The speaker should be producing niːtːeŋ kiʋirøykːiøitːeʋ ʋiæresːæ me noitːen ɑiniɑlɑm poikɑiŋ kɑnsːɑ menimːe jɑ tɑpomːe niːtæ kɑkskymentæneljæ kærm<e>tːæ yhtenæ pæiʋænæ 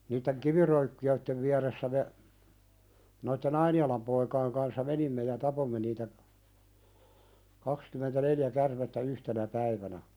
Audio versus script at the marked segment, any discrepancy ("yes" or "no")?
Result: no